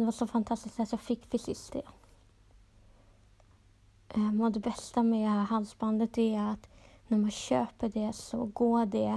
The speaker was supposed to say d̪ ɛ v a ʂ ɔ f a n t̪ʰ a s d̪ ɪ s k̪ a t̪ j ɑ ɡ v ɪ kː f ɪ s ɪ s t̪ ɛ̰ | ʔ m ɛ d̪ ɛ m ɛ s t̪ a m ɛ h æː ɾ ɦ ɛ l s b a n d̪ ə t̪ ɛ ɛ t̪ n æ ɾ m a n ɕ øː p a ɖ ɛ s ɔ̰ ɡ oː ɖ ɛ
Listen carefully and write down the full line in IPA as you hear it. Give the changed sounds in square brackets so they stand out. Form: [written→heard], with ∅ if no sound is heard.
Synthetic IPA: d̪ ɛ v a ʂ ɔ f a n t̪ʰ a s [d̪→t̪] ɪ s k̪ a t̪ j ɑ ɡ [v→f] ɪ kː f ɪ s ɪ s t̪ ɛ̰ | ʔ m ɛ d̪ ɛ [m→b] ɛ s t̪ a m ɛ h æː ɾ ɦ [ɛ→a] l s b a n d̪ ə t̪ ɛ [ɛ→a] t̪ n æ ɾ m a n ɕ øː p [a→ə] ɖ ɛ s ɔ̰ ɡ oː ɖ ɛ